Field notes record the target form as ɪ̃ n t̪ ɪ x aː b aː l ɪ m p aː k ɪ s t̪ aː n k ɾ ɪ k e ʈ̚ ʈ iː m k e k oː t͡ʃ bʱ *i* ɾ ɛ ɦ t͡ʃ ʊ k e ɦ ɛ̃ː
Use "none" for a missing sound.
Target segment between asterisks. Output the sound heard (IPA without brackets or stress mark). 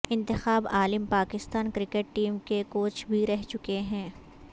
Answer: i